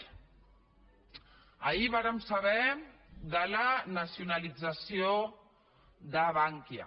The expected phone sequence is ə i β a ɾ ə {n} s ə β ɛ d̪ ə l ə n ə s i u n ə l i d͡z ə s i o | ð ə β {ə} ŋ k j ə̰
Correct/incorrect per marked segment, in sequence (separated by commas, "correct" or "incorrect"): incorrect, incorrect